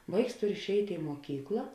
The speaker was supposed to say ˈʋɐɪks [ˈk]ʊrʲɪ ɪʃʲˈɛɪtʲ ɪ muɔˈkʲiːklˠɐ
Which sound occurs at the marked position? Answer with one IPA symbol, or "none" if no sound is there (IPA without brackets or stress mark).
t